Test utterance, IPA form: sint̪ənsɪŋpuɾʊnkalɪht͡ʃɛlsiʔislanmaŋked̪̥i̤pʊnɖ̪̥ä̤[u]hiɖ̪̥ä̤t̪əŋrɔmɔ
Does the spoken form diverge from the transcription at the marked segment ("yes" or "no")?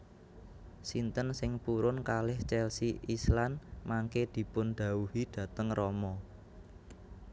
no